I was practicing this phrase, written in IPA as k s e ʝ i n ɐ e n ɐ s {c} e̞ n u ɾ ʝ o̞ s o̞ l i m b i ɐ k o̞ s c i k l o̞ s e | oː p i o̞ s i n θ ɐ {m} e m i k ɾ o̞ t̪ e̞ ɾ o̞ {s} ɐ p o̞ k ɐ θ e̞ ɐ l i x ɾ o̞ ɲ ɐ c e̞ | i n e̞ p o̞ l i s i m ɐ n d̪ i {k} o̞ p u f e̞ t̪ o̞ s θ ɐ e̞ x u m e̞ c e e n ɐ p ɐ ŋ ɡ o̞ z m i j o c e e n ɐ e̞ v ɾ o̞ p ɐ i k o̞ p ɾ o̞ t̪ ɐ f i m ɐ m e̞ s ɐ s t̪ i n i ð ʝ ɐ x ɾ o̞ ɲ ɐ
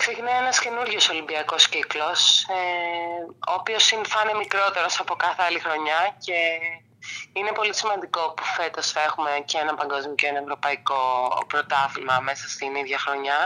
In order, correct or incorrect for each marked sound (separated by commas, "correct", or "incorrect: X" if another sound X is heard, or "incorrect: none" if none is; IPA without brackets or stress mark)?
correct, incorrect: n, correct, correct